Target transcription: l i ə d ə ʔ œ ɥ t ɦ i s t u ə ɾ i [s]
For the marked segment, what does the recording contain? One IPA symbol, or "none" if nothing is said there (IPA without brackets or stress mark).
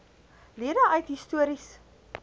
s